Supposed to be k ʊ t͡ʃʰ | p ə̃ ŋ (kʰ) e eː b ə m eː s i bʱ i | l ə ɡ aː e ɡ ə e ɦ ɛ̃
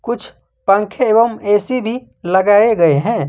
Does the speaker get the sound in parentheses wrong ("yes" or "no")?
no